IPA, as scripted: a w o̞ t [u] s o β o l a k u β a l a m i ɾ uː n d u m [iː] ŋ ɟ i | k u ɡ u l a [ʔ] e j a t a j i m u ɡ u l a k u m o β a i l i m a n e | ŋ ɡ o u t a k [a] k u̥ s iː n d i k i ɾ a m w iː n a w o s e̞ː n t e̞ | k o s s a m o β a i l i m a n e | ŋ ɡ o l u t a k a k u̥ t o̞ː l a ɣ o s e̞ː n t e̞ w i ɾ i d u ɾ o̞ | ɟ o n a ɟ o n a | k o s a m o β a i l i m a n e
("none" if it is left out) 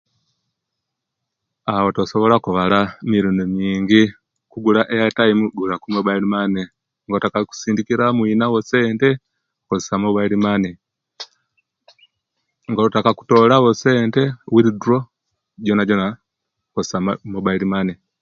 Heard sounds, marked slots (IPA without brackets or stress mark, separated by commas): o, iː, ʔ, a